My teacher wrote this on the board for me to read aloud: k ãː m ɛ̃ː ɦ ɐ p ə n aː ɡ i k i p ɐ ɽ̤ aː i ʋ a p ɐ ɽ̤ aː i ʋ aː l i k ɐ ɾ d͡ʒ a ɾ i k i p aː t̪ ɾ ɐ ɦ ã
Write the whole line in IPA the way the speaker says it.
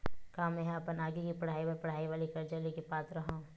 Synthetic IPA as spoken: k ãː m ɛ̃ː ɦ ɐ p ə n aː ɡ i k i p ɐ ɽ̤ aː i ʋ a p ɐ ɽ̤ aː i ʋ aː l i k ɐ ɾ d͡ʒ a l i k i p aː t̪ ɾ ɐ ɦ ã